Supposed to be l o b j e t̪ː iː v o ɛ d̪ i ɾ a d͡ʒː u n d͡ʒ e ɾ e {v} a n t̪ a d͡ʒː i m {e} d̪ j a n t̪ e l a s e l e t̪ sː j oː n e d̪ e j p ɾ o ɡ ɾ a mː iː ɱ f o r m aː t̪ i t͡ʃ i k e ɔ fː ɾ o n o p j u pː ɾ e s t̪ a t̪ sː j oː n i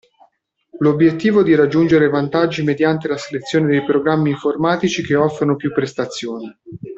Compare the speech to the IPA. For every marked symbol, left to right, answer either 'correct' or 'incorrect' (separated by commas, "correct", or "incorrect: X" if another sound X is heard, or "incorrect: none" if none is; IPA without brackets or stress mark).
correct, correct